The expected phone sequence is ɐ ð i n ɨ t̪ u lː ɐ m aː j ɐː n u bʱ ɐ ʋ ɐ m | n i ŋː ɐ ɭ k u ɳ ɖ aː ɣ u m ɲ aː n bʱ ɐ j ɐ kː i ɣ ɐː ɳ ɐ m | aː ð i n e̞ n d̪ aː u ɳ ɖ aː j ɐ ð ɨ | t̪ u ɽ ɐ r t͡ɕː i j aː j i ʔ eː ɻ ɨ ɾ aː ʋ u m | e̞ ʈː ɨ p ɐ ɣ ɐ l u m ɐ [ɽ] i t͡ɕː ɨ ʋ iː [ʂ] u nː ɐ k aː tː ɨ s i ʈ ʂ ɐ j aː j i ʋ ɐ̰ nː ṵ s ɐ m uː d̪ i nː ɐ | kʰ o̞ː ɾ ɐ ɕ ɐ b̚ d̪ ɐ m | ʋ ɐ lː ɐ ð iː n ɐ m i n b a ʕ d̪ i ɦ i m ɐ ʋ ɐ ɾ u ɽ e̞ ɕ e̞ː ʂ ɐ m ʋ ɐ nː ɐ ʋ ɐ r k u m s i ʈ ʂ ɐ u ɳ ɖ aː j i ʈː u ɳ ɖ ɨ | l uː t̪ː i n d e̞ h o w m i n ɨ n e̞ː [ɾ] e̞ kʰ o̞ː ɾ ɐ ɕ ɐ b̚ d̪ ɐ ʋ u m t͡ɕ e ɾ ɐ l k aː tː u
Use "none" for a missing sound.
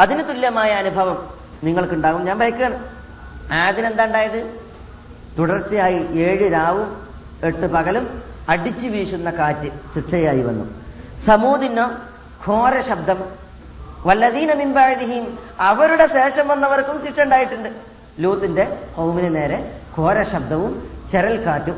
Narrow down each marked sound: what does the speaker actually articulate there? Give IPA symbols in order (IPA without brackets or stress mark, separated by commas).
ɽ, ʂ, ɾ